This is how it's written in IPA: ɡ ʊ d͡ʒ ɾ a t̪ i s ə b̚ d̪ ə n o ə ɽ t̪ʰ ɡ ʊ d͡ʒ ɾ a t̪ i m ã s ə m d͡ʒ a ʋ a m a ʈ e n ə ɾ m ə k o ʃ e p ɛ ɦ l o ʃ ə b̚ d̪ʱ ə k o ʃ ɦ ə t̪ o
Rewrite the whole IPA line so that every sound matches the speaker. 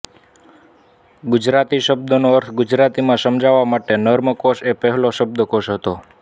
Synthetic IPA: ɡ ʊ d͡ʒ ɾ a t̪ i ʃ ə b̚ d̪ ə n o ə ɾ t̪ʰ ɡ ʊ d͡ʒ ɾ a t̪ i m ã s ə m d͡ʒ a ʋ a m a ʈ e n ə ɾ m ə k o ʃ e p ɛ ɦ l o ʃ ə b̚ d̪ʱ ə k o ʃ ɦ ə t̪ o